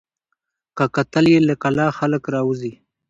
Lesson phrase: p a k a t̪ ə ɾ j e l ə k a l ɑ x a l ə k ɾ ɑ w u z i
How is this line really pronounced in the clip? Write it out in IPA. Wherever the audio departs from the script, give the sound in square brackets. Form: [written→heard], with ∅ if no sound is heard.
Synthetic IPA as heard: [p→k] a k a t̪ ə [ɾ→l] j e l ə k a l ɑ x a l ə k ɾ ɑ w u z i